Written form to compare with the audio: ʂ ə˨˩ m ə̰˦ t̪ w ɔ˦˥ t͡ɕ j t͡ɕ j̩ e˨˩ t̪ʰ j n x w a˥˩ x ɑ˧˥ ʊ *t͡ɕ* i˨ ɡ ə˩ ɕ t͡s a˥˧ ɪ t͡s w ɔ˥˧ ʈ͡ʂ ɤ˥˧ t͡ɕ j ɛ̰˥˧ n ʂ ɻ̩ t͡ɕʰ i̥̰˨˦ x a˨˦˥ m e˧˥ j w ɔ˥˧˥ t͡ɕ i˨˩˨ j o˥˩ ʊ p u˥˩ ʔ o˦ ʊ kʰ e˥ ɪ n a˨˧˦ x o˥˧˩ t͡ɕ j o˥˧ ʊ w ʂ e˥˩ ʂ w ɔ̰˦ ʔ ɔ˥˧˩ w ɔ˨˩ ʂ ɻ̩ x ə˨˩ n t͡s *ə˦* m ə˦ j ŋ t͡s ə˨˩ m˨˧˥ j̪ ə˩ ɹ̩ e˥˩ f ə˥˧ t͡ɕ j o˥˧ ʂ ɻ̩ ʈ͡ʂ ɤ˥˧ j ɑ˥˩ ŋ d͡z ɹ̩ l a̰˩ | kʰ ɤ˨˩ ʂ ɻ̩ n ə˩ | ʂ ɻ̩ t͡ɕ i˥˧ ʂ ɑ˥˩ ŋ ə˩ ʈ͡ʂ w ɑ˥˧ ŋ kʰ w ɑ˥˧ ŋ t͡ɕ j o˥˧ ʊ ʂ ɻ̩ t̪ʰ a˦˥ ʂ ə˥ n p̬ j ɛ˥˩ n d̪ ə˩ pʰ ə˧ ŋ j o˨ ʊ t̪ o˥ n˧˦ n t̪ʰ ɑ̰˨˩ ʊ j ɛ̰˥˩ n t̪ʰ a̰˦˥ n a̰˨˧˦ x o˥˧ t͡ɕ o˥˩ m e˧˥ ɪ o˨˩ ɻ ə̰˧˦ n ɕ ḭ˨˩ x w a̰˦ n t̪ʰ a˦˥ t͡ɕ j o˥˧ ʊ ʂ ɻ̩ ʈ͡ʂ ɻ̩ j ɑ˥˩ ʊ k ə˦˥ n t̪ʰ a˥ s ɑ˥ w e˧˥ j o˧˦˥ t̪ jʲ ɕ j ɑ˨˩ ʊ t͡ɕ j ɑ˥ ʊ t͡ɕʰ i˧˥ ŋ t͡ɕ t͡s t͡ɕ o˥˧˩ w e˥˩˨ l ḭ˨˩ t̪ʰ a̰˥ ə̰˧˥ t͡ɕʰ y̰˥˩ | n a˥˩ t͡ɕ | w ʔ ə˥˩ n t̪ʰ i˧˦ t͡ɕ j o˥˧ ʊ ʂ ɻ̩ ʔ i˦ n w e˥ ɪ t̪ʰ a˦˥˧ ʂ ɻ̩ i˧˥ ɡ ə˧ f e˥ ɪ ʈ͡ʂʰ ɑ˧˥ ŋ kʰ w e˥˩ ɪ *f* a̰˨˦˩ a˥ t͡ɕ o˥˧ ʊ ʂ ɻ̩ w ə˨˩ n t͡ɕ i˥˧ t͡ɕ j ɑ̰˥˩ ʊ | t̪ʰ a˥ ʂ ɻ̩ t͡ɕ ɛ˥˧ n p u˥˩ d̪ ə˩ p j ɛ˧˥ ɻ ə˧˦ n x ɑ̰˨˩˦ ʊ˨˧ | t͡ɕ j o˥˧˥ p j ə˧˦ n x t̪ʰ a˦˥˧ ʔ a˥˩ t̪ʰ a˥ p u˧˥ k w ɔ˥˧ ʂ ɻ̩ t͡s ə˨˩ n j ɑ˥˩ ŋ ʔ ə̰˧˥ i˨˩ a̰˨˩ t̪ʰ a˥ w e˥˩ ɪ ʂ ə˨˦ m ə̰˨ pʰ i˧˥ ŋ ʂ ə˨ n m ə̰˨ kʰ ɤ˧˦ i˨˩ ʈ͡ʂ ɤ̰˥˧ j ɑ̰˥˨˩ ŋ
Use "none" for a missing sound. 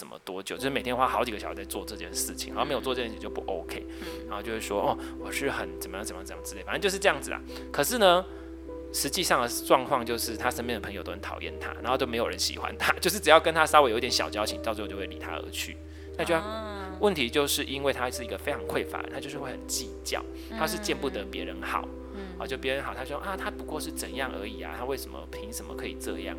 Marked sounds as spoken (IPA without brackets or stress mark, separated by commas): t͡ɕ, ə˨˩, f